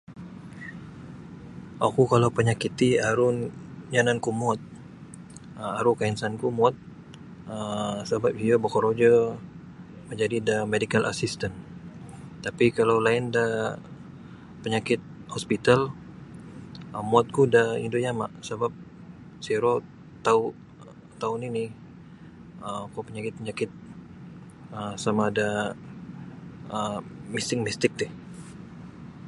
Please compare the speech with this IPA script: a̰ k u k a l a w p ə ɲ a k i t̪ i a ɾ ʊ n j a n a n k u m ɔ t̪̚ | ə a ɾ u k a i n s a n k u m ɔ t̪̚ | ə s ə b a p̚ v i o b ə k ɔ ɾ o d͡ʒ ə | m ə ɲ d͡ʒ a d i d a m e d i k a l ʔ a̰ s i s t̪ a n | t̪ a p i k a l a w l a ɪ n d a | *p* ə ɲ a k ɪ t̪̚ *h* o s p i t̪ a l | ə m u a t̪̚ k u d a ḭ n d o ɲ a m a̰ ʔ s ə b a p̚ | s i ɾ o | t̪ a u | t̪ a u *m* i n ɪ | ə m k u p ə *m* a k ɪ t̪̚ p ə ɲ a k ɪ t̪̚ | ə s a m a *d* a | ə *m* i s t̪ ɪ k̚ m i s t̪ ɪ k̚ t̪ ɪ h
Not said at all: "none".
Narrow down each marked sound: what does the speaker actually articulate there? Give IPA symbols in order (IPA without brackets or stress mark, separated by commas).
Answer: p, h, n, ɲ, d, m